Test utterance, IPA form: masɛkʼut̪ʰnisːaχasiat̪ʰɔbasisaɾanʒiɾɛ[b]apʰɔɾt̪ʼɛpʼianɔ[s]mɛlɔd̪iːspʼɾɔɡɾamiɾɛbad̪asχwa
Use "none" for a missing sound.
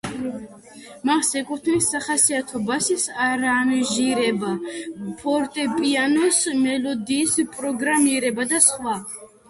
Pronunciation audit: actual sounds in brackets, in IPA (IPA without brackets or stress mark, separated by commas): b, s